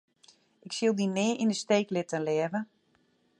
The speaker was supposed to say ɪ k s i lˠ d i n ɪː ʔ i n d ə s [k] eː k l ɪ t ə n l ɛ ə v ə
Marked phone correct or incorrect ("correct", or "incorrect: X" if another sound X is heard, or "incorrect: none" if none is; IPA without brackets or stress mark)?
incorrect: t